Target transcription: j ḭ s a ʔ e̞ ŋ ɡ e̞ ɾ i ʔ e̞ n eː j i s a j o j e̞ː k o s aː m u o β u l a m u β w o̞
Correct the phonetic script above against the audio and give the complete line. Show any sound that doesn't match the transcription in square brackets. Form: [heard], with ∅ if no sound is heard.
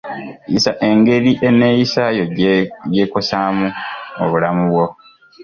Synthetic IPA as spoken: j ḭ s a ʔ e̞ ŋ ɡ e̞ ɾ i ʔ e̞ n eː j i s a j o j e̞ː k o s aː m u o β u l a m u β w o̞